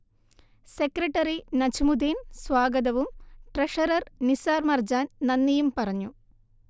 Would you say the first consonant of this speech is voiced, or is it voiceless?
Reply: voiceless